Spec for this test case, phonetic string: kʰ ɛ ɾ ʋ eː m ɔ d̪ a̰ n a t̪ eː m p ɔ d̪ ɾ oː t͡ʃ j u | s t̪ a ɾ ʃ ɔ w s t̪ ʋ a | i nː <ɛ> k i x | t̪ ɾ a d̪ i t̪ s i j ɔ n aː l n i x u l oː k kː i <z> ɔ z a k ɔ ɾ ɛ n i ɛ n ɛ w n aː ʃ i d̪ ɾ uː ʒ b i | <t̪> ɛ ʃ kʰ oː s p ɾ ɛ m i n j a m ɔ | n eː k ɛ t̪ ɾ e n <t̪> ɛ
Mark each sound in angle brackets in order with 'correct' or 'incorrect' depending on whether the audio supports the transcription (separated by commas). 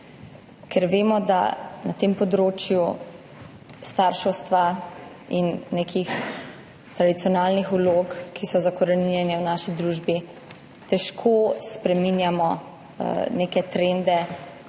incorrect, incorrect, correct, incorrect